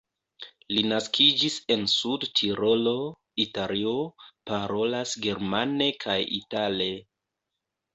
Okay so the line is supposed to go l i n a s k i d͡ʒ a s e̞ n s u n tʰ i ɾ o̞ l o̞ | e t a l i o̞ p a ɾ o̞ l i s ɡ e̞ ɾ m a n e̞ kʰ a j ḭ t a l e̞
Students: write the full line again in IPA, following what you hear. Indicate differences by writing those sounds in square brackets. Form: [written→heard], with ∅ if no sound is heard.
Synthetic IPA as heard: l i n a s k i d͡ʒ [a→i] s e̞ n s u [n→d] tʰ i ɾ o̞ l o̞ | [e→i] t a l i o̞ p a ɾ o̞ l [i→a] s ɡ e̞ ɾ m a n e̞ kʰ a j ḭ t a l e̞